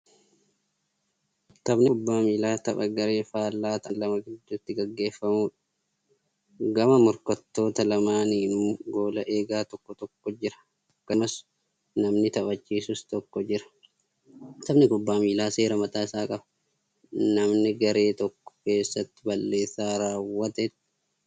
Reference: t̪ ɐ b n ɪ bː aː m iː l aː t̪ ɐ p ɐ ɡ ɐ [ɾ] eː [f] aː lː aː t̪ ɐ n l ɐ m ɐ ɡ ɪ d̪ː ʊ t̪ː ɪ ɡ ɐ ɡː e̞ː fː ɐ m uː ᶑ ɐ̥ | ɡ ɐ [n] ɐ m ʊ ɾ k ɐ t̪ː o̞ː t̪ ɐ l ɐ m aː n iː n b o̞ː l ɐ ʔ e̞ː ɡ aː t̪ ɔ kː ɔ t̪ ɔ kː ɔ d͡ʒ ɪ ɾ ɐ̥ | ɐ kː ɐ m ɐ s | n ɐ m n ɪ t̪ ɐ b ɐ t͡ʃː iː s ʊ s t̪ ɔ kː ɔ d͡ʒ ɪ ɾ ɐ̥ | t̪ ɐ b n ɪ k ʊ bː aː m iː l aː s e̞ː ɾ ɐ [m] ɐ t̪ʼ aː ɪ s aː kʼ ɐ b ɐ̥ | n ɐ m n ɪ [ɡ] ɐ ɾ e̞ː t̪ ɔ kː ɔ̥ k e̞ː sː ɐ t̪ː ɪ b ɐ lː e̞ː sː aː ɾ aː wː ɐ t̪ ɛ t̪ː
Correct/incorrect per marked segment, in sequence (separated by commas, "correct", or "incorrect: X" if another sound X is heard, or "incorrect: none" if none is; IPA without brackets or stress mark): correct, correct, incorrect: m, correct, correct